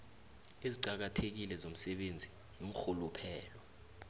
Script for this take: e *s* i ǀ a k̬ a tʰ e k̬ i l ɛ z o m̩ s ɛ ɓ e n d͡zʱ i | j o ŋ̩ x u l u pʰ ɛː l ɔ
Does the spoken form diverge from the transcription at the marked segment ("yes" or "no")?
yes